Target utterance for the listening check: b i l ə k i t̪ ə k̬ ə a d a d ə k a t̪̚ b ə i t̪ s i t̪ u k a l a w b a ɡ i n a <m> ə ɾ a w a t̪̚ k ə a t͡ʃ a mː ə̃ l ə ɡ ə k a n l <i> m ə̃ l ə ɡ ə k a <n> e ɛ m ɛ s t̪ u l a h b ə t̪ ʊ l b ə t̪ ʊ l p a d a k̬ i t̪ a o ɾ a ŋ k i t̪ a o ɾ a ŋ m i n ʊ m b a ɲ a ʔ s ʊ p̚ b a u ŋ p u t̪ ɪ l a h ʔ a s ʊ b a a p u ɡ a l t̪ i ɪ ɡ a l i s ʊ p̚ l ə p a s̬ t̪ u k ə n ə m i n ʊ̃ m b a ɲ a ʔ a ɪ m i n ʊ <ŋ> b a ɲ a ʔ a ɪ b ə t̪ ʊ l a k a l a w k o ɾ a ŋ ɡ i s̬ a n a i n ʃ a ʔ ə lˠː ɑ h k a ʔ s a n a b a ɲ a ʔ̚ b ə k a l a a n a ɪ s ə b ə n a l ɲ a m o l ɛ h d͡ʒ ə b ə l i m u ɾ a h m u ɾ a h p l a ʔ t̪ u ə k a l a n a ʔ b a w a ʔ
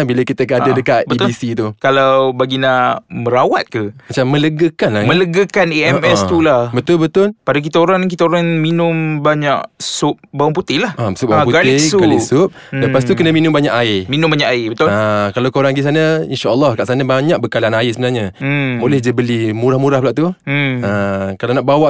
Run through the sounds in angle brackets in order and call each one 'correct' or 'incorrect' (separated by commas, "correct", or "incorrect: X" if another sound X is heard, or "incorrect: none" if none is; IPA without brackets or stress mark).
correct, incorrect: a, correct, incorrect: m